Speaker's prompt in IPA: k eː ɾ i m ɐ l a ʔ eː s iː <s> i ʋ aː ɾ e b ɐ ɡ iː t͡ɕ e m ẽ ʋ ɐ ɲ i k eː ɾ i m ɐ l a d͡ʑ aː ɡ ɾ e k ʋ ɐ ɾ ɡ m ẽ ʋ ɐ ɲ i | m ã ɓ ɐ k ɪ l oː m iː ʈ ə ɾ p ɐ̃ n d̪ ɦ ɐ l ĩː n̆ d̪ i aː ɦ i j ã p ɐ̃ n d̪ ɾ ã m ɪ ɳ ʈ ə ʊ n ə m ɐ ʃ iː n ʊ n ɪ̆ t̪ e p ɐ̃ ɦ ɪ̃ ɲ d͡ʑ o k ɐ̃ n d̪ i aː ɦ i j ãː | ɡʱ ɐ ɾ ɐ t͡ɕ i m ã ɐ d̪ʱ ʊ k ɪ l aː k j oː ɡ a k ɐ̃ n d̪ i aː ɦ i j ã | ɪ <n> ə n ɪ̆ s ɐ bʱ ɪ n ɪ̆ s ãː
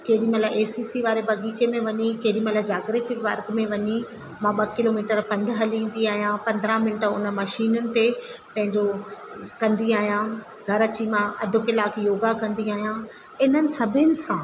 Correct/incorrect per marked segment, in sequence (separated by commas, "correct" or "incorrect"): correct, correct